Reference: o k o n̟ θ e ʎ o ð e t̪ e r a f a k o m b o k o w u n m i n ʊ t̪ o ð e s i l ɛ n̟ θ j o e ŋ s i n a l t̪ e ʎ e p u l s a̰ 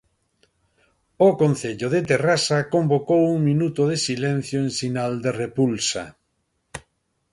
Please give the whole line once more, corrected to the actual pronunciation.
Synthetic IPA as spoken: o k o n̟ θ e ʎ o ð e t̪ e r a s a k o m b o k o w u ŋ m i n u t̪ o ð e s i l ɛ n̟ θ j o e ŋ s i n a l d̪ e r e p u l s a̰